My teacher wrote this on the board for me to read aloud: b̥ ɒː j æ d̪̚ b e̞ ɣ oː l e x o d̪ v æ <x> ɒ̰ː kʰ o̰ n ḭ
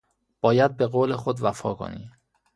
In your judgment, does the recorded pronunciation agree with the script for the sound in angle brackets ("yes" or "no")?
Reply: no